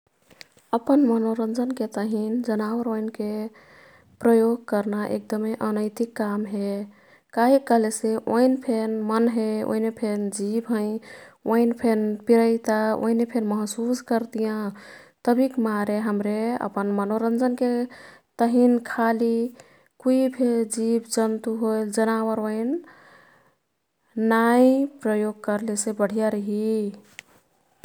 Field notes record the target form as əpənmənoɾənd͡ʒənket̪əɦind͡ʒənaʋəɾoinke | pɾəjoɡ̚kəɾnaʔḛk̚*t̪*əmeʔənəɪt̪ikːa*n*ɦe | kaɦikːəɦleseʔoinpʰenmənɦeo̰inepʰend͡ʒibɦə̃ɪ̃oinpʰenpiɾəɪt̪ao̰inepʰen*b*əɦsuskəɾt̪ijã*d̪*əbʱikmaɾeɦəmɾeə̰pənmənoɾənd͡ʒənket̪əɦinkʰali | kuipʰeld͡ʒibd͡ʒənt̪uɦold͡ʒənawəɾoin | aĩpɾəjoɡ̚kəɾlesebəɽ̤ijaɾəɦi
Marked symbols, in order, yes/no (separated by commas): no, no, no, no